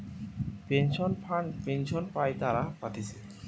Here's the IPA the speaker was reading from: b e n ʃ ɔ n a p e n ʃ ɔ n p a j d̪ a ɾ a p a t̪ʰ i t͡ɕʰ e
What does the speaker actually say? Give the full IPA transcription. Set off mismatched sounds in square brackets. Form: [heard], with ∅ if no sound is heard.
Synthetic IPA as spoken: [p] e n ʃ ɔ n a p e n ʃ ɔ n p a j [t̪] a ɾ a p a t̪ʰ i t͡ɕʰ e